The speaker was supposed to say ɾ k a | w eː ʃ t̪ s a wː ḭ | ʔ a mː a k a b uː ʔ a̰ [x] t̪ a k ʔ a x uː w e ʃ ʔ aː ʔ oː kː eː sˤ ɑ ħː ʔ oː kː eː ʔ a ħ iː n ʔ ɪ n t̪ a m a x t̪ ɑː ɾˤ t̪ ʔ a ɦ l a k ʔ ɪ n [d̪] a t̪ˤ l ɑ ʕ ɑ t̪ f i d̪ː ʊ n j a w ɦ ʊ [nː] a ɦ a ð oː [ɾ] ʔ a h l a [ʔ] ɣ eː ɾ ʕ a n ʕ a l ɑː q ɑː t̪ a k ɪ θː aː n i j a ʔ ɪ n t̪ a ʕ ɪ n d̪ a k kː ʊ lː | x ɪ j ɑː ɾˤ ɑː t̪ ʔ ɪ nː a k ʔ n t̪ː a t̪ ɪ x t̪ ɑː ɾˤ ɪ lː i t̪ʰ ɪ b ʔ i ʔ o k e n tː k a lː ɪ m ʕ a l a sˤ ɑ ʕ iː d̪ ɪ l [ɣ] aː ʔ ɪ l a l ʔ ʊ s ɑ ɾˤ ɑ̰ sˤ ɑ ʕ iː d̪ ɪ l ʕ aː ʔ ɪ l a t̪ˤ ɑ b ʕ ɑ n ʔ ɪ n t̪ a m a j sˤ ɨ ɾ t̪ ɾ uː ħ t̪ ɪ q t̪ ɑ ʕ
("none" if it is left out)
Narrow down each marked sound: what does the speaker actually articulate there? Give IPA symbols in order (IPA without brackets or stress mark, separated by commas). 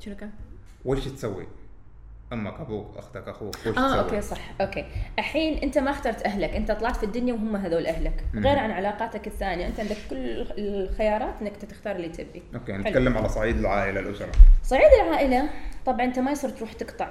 x, t̪, mː, l, k, ʕ